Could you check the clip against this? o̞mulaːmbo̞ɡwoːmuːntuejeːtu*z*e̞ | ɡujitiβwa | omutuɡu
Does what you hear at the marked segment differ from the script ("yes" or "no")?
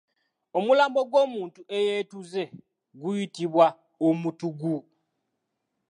no